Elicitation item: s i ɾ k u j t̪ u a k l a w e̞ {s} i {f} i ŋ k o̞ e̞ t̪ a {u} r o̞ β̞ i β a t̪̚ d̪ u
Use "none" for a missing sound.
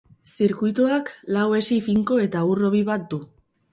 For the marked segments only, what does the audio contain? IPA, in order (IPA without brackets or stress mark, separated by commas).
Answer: s, f, u